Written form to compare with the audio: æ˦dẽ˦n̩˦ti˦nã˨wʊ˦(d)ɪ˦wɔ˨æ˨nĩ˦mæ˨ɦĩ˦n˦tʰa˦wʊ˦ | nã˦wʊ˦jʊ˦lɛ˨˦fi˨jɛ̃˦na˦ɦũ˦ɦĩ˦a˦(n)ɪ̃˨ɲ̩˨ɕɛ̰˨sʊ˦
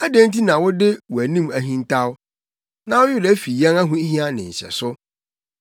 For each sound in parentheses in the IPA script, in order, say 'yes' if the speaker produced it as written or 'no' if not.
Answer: yes, yes

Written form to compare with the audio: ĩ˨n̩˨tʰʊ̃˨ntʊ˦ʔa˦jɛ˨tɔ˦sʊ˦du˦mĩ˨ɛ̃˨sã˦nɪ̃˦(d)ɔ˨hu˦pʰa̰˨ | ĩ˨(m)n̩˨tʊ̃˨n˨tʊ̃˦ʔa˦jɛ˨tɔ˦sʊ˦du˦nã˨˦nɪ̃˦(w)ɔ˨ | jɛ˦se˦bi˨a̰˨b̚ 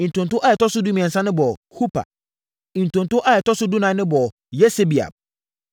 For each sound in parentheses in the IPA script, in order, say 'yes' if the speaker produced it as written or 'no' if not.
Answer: no, no, no

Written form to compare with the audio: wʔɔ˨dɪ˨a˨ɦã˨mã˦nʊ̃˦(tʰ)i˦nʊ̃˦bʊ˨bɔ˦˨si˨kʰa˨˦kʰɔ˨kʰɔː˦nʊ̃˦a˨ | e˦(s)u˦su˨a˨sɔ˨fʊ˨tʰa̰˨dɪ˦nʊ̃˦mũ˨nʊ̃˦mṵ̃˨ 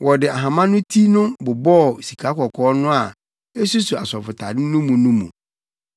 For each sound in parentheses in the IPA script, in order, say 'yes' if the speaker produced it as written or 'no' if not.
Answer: yes, yes

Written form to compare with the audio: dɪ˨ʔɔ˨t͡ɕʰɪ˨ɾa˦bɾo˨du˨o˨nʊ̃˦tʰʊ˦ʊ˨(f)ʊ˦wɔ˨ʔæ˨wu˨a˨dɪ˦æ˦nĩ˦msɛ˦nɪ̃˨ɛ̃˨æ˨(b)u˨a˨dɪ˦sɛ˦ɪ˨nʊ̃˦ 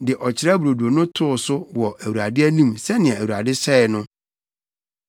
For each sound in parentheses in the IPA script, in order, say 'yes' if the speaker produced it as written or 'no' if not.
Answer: no, no

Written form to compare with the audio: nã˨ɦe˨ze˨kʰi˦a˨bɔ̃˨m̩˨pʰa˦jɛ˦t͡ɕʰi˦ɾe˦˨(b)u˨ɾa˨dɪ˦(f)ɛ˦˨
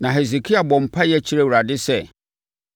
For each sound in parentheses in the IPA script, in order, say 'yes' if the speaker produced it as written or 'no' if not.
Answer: no, no

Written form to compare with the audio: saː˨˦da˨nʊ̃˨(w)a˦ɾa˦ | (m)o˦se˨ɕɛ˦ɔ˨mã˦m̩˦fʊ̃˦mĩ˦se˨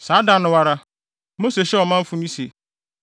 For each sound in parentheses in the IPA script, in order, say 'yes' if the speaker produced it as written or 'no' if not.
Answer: yes, yes

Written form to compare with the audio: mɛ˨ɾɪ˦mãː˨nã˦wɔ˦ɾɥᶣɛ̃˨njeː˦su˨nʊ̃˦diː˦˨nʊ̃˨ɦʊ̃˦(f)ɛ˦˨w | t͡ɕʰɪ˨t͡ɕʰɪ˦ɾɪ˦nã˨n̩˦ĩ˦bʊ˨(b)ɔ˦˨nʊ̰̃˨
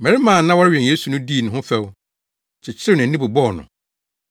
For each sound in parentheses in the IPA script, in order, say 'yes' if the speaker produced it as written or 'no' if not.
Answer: yes, yes

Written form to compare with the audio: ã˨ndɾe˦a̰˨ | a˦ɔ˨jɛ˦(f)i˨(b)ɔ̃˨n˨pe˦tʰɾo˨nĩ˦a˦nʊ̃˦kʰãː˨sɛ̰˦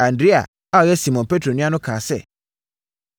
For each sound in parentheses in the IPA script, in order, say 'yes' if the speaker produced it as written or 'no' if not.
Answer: no, no

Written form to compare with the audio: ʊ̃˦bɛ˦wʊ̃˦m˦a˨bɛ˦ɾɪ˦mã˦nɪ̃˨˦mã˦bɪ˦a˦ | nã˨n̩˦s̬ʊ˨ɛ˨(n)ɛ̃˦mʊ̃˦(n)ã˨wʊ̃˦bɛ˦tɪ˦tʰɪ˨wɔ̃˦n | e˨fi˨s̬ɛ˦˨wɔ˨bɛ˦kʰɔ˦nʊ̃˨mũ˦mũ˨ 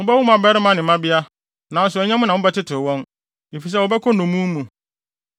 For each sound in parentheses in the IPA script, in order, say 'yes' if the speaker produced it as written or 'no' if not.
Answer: no, yes

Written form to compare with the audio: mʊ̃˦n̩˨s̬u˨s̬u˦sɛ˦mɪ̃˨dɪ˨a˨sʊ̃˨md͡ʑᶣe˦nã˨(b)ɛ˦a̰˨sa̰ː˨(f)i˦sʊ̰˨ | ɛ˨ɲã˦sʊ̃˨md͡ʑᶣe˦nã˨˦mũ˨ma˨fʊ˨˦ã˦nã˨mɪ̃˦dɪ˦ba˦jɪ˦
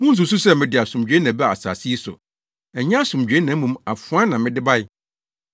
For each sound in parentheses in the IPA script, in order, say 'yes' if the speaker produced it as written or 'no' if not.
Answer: yes, no

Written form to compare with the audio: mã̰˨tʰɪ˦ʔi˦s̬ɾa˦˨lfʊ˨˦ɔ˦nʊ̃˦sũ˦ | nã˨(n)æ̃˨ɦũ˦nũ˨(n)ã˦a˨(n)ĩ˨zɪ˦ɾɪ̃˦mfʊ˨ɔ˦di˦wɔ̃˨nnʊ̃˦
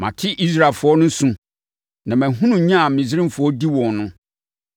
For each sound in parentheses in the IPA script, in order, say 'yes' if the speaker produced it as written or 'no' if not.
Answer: no, no, no

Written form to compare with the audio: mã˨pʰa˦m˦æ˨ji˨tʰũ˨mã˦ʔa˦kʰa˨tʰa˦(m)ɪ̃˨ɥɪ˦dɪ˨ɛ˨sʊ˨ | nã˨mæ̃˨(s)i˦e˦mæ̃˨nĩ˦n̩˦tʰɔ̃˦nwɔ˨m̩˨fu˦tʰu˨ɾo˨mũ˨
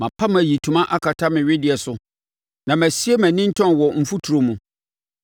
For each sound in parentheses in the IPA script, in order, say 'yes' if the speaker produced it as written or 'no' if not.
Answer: yes, yes

